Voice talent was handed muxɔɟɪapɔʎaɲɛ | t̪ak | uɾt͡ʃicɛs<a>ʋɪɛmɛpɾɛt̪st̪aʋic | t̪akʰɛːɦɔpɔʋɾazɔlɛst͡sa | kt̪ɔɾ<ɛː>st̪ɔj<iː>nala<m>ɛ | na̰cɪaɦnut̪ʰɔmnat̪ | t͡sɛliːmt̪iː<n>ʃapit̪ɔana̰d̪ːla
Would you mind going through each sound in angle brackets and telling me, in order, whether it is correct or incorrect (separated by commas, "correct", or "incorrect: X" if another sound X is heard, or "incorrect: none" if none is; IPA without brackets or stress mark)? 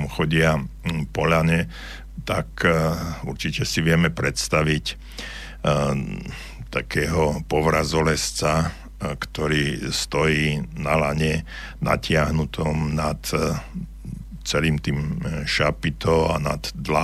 incorrect: i, incorrect: iː, correct, incorrect: ɲ, incorrect: m